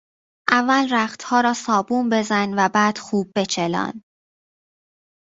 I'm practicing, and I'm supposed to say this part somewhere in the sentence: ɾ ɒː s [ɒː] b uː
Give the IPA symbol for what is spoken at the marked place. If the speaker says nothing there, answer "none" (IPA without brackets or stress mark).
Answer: ɒː